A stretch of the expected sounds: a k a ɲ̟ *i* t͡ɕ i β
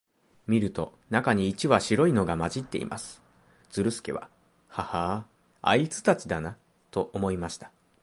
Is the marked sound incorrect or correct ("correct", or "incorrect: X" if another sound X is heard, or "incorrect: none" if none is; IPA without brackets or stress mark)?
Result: incorrect: iː